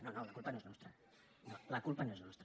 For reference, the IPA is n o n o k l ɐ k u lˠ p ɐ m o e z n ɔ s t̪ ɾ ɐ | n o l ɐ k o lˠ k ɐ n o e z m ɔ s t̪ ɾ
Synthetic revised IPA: n o n o l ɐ k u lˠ p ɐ n o e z n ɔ s t̪ ɾ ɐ | n o l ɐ k u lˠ p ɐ n o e z n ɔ s t̪ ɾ